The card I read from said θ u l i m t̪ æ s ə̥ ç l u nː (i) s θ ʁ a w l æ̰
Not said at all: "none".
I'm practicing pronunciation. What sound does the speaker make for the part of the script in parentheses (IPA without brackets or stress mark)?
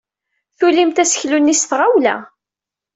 i